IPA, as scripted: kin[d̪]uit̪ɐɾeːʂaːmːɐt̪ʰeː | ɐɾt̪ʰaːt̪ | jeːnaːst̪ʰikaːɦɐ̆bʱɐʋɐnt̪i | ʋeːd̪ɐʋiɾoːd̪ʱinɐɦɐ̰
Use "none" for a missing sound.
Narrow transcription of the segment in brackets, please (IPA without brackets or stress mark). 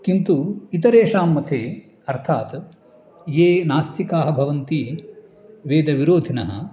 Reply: t̪